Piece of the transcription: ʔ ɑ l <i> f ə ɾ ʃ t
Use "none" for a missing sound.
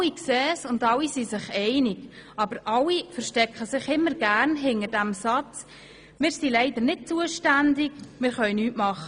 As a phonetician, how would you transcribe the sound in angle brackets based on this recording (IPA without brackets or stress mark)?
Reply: i